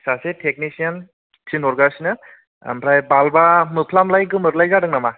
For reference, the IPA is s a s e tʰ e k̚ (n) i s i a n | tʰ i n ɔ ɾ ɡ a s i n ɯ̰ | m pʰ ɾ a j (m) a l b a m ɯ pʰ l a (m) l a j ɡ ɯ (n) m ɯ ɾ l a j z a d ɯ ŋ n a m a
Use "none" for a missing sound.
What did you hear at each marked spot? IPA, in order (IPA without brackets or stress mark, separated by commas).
n, b, m, none